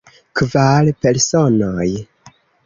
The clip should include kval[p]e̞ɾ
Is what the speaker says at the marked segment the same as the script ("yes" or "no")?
yes